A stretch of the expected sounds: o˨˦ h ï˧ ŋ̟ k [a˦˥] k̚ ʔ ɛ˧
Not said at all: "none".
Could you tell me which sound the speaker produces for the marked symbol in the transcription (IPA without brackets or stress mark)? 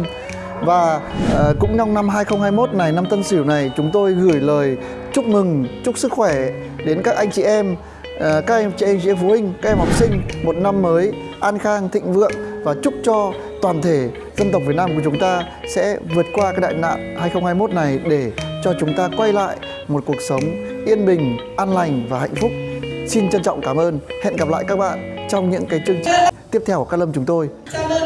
a˦˥